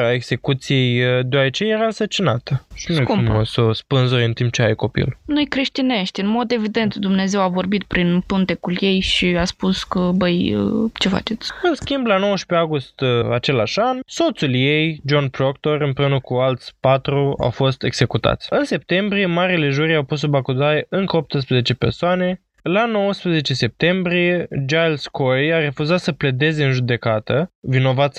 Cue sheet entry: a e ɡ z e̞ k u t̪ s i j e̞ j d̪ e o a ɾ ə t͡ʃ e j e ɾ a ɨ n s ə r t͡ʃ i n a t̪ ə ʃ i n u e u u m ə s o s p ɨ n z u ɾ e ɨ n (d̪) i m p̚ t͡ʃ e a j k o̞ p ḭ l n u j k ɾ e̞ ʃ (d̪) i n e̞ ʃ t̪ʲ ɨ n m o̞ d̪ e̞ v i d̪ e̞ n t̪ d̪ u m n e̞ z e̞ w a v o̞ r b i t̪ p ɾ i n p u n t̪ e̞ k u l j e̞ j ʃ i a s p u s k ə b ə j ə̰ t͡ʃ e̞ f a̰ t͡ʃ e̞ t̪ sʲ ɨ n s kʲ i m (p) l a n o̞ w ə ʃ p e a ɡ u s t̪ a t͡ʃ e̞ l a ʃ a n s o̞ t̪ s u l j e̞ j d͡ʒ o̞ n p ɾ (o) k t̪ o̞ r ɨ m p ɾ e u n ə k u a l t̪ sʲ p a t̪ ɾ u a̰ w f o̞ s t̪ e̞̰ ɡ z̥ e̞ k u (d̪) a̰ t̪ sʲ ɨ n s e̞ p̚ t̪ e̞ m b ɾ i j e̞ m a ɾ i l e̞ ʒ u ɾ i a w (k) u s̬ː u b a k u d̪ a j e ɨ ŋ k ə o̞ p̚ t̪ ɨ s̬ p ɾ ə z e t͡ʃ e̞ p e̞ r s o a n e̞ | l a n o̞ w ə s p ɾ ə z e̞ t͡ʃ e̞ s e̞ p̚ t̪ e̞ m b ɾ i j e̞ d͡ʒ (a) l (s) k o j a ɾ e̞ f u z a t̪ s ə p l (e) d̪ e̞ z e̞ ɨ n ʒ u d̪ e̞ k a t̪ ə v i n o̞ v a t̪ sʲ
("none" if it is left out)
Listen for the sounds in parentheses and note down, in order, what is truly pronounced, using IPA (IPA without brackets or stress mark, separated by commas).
t̪, t̪, b, o, t̪, p, a, s, e